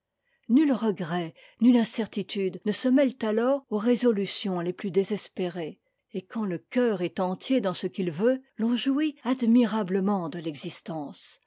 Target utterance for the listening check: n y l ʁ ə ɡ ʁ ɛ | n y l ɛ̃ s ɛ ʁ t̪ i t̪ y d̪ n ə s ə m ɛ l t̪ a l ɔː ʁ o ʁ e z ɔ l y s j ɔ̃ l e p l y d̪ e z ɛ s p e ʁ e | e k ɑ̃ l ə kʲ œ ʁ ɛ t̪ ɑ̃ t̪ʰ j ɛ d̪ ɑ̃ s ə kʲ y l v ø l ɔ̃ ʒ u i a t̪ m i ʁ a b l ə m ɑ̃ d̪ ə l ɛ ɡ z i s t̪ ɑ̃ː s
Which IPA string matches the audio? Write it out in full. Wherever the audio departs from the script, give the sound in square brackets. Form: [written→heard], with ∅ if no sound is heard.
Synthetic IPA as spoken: n y l ʁ ə ɡ ʁ ɛ | n y l ɛ̃ s ɛ ʁ t̪ i t̪ y d̪ n ə s ə m ɛ l t̪ a l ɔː ʁ o ʁ e z ɔ l y s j ɔ̃ l e p l y d̪ e z ɛ s p e ʁ e | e k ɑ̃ l ə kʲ œ ʁ ɛ t̪ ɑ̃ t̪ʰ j [ɛ→e] d̪ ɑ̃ s ə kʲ [y→i] l v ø l ɔ̃ ʒ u i a [t̪→d̪] m i ʁ a b l ə m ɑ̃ d̪ ə l ɛ ɡ z i s t̪ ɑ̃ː s